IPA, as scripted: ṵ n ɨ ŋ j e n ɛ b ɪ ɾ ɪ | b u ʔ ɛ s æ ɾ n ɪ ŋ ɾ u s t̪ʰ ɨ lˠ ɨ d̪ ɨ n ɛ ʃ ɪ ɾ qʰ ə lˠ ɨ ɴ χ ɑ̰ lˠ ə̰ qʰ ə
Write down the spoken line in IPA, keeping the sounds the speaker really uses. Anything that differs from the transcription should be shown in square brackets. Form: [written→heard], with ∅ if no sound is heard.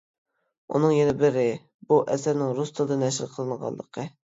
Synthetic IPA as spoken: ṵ n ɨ ŋ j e n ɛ b ɪ ɾ ɪ | b u ʔ ɛ s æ ɾ n ɪ ŋ ɾ u s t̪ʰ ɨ lˠ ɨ d̪ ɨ n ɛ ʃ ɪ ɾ qʰ ə lˠ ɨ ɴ [χ→ʁ] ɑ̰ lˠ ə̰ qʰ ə